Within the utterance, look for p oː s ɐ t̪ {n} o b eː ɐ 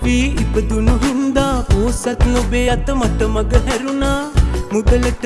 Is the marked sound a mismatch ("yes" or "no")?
no